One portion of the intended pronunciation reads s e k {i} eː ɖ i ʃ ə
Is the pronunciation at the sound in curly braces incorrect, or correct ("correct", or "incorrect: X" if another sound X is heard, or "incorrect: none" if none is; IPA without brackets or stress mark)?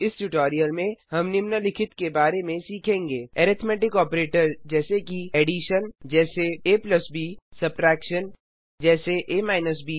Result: correct